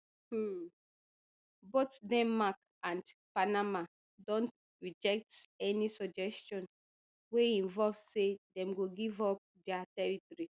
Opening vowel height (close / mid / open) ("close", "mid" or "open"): mid